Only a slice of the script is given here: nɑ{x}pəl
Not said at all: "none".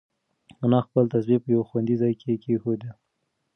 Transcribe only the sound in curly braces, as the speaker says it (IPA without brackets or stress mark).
x